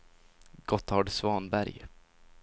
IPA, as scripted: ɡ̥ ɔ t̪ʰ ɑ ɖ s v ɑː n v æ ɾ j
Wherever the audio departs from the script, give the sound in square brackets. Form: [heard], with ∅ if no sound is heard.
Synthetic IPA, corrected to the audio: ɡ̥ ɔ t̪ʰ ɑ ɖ s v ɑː n [b] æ ɾ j